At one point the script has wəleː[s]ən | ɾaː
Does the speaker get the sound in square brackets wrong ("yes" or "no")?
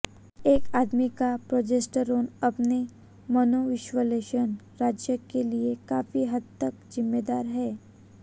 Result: yes